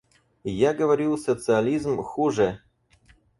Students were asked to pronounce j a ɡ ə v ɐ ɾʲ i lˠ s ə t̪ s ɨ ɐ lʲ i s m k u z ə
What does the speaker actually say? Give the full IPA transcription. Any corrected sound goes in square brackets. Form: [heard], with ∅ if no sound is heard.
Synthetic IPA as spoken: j a ɡ ə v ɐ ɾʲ i lˠ s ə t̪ s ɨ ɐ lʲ i [z] m [x] u [ʐ] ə